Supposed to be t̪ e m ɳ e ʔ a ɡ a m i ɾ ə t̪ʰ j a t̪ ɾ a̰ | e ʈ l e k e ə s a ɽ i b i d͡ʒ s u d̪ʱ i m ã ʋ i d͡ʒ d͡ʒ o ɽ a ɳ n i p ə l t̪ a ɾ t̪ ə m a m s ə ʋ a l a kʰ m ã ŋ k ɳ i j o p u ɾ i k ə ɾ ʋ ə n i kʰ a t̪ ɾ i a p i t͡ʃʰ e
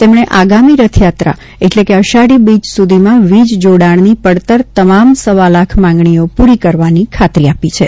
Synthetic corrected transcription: t̪ e m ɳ e ʔ a ɡ a m i ɾ ə t̪ʰ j a t̪ ɾ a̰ | e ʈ l e k e ə ʃ a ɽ i b i d͡ʒ s u d̪ʱ i m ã ʋ i d͡ʒ d͡ʒ o ɽ a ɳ n i p ə ɽ t̪ ə ɾ t̪ ə m a m s ə ʋ a l a kʰ m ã ŋ ɡ ɳ i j o p u ɾ i k ə ɾ ʋ a n i kʰ a t̪ ɾ i a p i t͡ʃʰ e

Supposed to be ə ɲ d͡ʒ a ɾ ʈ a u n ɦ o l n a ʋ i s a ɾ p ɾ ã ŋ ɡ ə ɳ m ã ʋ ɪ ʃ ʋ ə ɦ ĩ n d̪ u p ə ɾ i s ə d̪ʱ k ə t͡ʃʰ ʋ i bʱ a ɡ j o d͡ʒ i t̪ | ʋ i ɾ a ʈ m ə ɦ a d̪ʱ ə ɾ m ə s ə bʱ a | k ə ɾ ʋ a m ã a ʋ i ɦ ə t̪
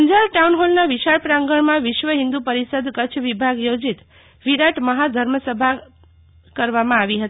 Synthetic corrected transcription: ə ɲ d͡ʒ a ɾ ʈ a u n ɦ o l n a ʋ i ʃ a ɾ p ɾ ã ŋ ɡ ə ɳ m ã ʋ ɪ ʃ ʋ ə ɦ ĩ n d̪ u p ə ɾ i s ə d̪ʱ k ə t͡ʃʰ ʋ i bʱ a ɡ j o d͡ʒ i t̪ | ʋ i ɾ a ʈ m ə ɦ a d̪ʱ ə ɾ m ə s ə bʱ a | k ə ɾ ʋ a m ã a ʋ i ɦ ə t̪

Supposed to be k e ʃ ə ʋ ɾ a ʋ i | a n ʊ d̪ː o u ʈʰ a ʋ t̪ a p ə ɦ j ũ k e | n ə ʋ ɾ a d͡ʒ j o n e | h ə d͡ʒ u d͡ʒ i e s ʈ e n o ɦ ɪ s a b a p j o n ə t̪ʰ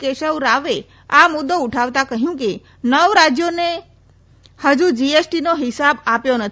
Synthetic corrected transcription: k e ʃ ə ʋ ɾ a ʋ e | a m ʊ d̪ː o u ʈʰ a ʋ t̪ a k ə ɦ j ũ k e | n ə ʋ ɾ a d͡ʒ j o n e | h ə d͡ʒ u d͡ʒ i e s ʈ i n o ɦ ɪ s a b a p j o n ə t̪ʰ

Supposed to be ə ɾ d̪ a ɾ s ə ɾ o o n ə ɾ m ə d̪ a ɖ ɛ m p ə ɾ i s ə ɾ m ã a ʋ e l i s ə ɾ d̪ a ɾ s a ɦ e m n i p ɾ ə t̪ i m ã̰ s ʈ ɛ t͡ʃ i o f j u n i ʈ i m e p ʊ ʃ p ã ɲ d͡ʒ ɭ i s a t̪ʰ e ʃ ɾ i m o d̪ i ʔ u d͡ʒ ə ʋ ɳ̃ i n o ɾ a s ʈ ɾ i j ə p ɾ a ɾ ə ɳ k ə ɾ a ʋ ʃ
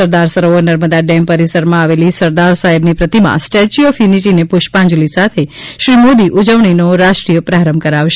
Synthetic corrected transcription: ə ɾ d̪ a ɾ s ə ɾ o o n ə ɾ m ə d̪ a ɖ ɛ m p ə ɾ i s ə ɾ m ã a ʋ e l i s ə ɾ d̪ a ɾ s a ɦ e b n i p ɾ ə t̪ i m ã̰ s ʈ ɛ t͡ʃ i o f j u n i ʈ i n e p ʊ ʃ p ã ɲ d͡ʒ l i s a t̪ʰ e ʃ ɾ i m o d̪ i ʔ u d͡ʒ ə ʋ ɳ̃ i n o ɾ a ʃ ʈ ɾ i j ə p ɾ a ɾ ə m k ə ɾ a ʋ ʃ

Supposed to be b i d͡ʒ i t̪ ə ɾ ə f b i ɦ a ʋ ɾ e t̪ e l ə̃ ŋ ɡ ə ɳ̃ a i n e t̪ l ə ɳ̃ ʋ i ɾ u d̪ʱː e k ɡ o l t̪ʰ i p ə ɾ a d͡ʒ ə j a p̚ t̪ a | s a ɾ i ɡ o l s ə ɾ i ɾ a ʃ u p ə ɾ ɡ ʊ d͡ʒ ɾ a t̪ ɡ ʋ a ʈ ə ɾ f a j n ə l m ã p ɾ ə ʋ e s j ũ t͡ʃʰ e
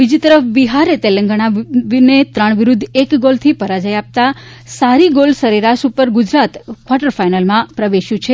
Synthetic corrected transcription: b i d͡ʒ i t̪ ə ɾ ə f b i ɦ a ɾ e t̪ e l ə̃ ŋ ɡ ə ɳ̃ a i n e t̪ ɾ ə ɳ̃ ʋ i ɾ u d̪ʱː e k ɡ o l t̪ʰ i p ə ɾ a d͡ʒ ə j a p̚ t̪ a | s a ɾ i ɡ o l s ə ɾ i ɾ a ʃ u p ə ɾ ɡ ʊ d͡ʒ ɾ a t̪ k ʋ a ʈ ə ɾ f a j n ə l m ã p ɾ ə ʋ e ʃ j ũ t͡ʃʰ e

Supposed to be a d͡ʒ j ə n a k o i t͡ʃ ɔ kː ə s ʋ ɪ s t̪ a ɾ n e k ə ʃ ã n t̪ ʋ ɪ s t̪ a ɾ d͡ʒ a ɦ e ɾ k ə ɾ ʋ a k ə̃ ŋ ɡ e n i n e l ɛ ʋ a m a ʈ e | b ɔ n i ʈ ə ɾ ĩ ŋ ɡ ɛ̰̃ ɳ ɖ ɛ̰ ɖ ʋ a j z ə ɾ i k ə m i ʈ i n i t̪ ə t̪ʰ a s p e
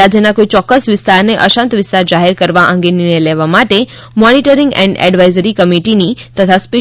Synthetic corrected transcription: a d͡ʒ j ə n a k o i t͡ʃ ɔ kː ə s ʋ ɪ s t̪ a ɾ n e ʔ ə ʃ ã n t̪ ʋ ɪ s t̪ a ɾ d͡ʒ a ɦ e ɾ k ə ɾ ʋ a ʔ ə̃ ŋ ɡ e n i n e l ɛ ʋ a m a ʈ e | m ɔ n i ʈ ə ɾ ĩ ŋ ɡ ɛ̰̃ ɳ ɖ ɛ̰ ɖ ʋ a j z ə ɾ i k ə m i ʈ i n i t̪ ə t̪ʰ a s p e

